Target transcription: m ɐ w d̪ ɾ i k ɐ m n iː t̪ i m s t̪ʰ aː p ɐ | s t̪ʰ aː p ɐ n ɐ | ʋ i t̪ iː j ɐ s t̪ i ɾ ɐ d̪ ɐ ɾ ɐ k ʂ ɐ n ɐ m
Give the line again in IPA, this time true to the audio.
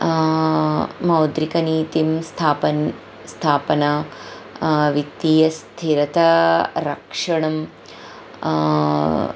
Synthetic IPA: m ɐ w d̪ ɾ i k ɐ n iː t̪ i m s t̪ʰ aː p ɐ | s t̪ʰ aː p ɐ n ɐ | ʋ i t̪ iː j ɐ s t̪ʰ i ɾ ɐ t̪ ɐ ɾ ɐ k ʂ ɐ ɳ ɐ m